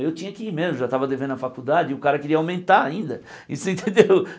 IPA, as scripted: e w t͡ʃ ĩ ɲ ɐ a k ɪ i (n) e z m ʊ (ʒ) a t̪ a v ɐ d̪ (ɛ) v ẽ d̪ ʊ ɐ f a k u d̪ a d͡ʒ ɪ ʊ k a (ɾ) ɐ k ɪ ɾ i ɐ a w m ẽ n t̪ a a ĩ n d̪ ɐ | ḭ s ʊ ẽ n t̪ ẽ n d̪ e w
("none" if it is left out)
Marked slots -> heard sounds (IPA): m, ʒ, e, ɾ

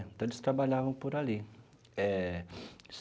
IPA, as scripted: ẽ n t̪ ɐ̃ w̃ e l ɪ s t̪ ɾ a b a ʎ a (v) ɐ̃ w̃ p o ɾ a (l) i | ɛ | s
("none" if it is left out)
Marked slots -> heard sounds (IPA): v, l

